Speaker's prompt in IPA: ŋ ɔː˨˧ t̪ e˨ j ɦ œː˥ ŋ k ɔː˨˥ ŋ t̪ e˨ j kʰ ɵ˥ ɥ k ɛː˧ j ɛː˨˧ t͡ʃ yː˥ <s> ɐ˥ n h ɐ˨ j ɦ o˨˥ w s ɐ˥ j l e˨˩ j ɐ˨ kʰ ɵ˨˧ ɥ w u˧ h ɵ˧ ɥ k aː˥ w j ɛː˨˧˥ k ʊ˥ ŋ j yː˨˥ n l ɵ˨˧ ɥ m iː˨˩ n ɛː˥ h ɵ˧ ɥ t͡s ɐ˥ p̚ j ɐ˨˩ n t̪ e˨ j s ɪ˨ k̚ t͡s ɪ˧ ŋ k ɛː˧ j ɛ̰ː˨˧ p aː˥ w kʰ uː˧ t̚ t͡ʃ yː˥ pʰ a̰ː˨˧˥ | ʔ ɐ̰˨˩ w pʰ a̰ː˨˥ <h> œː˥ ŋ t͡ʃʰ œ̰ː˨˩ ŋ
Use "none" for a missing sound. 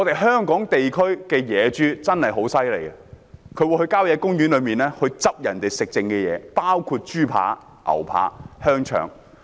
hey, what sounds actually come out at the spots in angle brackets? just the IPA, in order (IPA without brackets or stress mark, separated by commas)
t͡s, h